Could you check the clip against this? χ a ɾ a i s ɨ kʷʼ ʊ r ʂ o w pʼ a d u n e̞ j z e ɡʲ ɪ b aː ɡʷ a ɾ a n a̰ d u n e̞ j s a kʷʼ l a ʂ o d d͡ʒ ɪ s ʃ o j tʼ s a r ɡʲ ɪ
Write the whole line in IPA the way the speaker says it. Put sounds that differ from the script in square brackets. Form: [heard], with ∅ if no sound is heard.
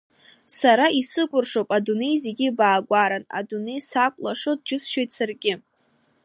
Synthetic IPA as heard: [s] a ɾ a i s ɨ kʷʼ ʊ r ʂ o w pʼ a d u n e̞ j z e ɡʲ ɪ b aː ɡʷ a ɾ a n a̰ d u n e̞ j s a kʷʼ l a ʂ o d d͡ʒ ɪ s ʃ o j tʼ s a r ɡʲ ɪ